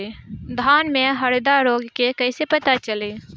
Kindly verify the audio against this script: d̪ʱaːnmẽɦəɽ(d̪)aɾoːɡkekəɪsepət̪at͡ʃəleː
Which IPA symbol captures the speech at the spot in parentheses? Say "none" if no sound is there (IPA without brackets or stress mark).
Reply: d̪